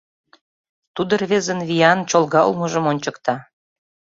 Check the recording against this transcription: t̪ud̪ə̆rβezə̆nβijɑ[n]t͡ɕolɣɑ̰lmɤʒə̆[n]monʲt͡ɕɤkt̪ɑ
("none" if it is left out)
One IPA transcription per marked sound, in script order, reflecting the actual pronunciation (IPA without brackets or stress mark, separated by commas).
n, none